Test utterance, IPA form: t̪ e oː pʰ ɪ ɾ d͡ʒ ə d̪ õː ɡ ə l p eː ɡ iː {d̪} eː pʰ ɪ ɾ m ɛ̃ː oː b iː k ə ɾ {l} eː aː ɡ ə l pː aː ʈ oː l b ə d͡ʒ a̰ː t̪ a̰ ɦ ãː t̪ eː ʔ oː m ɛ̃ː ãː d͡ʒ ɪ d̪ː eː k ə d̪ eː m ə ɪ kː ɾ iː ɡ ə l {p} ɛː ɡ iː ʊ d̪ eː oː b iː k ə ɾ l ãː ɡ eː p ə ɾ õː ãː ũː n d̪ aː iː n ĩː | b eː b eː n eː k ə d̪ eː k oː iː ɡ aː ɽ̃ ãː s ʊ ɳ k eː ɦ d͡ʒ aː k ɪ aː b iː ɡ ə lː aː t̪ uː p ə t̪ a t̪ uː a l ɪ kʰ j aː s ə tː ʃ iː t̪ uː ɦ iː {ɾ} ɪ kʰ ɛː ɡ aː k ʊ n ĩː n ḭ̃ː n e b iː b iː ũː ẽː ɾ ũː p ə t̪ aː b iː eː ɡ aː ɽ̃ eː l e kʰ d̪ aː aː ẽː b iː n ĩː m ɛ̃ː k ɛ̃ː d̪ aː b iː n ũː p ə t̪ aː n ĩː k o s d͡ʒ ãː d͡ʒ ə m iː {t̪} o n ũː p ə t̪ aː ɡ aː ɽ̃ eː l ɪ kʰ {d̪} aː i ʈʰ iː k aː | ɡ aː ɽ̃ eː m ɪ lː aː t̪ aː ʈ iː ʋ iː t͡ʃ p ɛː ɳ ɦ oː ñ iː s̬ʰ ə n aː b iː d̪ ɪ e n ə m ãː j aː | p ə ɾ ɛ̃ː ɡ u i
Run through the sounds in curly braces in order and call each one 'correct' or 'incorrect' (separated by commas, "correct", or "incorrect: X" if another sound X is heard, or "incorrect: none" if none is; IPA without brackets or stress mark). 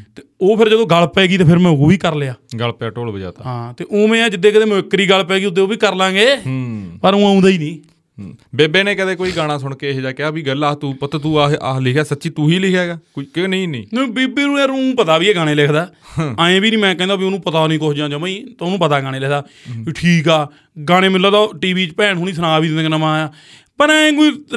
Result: incorrect: t̪, correct, correct, incorrect: l, correct, correct